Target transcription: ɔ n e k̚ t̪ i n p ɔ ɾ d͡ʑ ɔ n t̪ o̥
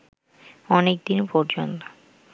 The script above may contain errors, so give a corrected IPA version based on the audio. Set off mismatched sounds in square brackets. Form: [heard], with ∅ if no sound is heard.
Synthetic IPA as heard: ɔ n e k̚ [d̪] i n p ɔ ɾ d͡ʑ [o] n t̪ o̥

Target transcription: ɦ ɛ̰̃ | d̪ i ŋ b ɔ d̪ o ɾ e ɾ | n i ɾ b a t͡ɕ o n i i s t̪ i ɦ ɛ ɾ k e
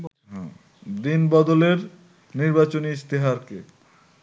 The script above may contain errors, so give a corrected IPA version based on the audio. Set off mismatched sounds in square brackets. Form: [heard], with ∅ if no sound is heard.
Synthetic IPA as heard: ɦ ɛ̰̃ | d̪ i [n] b ɔ d̪ o [l] e ɾ | n i ɾ b a t͡ɕ o n i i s t̪ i ɦ [a] ɾ k e

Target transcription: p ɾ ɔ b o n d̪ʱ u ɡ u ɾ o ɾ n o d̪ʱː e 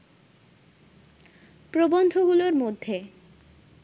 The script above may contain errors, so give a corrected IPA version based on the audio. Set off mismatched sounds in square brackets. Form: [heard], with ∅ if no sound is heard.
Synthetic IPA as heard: p ɾ [o] b o n d̪ʱ [o] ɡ u [l] o ɾ [m] o d̪ʱː e

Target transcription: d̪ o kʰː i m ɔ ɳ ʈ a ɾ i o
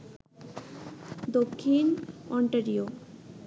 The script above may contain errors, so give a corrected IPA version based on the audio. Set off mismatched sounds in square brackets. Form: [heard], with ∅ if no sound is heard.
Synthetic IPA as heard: d̪ o kʰː i [n] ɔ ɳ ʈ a ɾ i o

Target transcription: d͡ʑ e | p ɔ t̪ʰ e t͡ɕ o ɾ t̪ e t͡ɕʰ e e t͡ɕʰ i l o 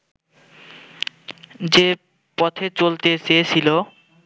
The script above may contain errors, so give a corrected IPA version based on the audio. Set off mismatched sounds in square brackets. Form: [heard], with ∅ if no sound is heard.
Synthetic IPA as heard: d͡ʑ e | p ɔ t̪ʰ e t͡ɕ o [l] t̪ e [t͡ɕ] e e t͡ɕʰ i l o

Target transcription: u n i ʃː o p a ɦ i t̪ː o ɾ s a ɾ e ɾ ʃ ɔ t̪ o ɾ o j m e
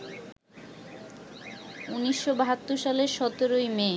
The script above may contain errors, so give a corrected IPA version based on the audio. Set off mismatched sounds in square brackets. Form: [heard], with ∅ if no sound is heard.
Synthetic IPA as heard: u n i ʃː o [b] a ɦ [a] t̪ː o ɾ [ʃ] a [l] e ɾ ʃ ɔ t̪ o ɾ o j m e

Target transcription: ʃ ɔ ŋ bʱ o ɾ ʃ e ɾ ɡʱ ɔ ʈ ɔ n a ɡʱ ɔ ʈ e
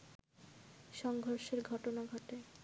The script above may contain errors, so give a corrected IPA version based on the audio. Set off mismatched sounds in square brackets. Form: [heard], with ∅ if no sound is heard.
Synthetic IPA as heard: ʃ ɔ ŋ [ɡʱ] o ɾ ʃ e ɾ ɡʱ ɔ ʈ [o] n a ɡʱ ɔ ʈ e

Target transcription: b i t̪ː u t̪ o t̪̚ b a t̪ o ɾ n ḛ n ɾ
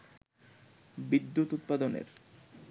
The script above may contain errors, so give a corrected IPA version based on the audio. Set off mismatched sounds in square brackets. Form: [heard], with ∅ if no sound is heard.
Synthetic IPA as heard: b i [d̪ː] u t̪ [u] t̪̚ [p] a [d̪] o [∅] n ḛ [∅] ɾ

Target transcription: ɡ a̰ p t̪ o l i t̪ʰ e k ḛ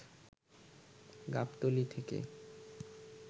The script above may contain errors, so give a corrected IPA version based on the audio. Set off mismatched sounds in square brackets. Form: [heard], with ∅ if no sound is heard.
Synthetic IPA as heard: ɡ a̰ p t̪ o l i t̪ʰ e k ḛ

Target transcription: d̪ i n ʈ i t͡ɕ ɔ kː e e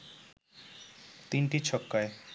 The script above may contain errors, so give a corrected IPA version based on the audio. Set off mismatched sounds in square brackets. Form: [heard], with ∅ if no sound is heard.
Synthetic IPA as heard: [t̪] i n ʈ i [t͡ɕʰ] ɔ kː [a] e

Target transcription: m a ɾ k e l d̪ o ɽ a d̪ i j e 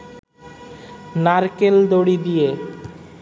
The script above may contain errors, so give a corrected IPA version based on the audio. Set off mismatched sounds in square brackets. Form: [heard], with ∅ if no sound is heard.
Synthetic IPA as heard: [n] a ɾ k e l d̪ o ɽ [i] d̪ i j e

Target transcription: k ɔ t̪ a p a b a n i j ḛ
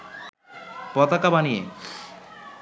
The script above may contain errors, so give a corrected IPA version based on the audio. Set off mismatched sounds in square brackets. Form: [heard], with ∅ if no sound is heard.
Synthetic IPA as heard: [p] ɔ t̪ a [k] a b a n i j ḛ

